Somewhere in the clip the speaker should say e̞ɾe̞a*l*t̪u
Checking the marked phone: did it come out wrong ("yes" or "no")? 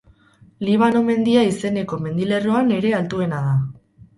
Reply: no